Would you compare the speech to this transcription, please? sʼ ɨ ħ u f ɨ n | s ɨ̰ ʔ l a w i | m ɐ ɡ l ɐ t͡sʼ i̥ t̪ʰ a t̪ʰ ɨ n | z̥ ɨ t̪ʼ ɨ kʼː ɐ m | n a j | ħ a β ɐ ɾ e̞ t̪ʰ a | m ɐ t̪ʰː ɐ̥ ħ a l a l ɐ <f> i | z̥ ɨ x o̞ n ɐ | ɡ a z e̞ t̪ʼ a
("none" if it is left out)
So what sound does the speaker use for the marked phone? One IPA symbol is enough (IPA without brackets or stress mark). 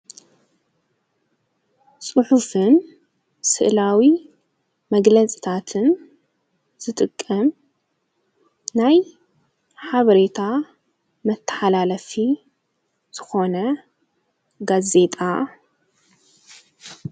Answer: f